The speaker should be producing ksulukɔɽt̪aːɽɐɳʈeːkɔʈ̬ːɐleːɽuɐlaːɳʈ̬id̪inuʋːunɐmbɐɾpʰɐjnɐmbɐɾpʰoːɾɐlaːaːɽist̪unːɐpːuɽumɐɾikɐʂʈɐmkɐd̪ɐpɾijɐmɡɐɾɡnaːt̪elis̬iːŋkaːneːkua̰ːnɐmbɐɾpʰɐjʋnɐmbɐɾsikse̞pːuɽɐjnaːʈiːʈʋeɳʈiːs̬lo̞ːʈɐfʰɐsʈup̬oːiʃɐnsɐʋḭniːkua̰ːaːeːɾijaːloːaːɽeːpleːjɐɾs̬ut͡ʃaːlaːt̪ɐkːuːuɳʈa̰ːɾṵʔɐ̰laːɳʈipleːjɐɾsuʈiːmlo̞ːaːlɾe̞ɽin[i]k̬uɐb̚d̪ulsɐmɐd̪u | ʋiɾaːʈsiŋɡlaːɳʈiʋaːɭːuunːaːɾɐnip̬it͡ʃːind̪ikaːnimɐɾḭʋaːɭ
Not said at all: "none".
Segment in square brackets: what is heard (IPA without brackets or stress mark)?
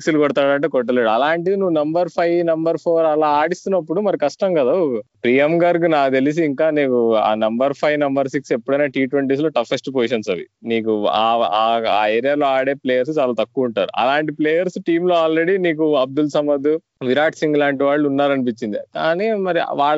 iː